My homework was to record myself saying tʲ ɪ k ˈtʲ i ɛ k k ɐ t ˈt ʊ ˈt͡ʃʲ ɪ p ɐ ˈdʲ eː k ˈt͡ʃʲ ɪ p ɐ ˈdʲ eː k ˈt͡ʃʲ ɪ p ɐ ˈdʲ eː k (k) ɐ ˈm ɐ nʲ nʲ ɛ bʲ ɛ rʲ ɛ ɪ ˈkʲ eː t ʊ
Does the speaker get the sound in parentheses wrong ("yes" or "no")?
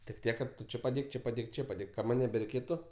no